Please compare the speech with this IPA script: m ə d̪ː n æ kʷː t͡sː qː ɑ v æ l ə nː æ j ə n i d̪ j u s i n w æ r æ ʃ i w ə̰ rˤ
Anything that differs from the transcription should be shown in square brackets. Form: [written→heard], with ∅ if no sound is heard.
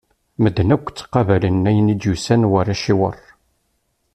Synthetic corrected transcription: m ə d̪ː n æ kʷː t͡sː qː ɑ v æ l ə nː æ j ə n i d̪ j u s [i→æ] n w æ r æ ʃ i w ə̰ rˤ